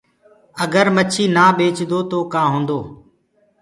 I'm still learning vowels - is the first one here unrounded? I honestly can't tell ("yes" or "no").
yes